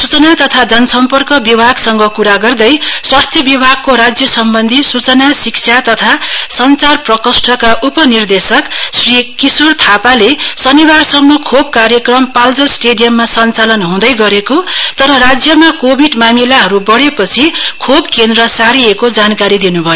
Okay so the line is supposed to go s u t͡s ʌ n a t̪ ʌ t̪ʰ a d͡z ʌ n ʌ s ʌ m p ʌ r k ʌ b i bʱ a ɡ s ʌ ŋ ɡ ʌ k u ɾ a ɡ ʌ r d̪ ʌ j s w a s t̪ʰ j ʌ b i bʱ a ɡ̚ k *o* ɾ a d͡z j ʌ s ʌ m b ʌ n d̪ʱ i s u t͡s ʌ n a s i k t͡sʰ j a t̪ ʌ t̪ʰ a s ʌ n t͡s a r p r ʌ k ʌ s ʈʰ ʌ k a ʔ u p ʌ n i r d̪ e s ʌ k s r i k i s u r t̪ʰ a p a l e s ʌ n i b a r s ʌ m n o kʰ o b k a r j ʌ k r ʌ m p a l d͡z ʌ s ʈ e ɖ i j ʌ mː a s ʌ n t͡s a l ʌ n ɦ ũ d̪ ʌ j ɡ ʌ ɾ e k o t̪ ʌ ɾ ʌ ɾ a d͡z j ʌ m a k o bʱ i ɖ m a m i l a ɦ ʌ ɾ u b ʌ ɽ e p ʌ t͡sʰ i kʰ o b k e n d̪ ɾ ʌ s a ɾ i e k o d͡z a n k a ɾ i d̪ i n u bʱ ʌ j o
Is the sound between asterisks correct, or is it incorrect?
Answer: correct